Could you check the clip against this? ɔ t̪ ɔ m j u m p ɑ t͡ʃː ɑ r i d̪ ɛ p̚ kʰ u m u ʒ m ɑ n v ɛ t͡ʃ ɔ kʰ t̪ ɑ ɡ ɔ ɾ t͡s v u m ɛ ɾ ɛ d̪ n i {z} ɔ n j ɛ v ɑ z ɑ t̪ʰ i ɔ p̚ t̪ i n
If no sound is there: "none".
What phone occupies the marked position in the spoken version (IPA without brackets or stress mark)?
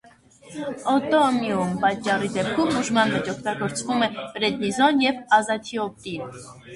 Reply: z